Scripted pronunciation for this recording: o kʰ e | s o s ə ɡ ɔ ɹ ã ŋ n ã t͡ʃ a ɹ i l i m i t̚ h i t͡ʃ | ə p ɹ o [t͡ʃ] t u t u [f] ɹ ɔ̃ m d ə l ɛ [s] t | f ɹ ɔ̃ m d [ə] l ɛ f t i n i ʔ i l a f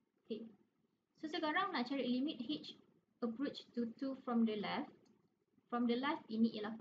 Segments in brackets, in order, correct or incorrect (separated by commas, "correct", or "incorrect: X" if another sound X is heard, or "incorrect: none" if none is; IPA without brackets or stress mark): correct, correct, incorrect: f, correct